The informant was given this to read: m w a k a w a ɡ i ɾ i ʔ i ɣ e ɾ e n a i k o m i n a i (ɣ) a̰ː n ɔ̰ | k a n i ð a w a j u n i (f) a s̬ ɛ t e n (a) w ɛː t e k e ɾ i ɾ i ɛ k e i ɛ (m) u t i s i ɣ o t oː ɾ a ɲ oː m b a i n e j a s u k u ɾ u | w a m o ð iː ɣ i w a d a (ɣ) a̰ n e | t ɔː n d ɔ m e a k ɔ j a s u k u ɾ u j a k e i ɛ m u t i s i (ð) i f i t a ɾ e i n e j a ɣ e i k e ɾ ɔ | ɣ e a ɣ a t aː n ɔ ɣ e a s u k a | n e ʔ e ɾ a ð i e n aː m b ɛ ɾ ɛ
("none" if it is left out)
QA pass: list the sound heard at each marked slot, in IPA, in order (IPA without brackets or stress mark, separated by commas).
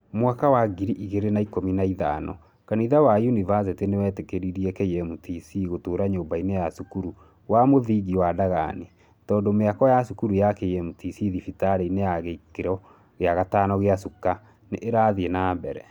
ð, v, e, m, ɣ, ð